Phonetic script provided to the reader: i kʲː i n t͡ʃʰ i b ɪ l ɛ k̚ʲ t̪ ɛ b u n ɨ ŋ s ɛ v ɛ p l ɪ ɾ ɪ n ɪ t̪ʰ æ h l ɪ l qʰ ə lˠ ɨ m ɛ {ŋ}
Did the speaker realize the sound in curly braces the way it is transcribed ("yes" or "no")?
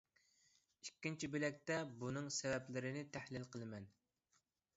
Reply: no